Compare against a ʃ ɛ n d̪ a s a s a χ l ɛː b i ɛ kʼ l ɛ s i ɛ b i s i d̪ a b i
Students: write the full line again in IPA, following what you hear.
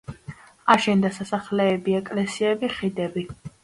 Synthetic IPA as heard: a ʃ ɛ n d̪ a s a s a χ l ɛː b i ɛ kʼ l ɛ s i ɛ b i χ i d̪ ɛ b i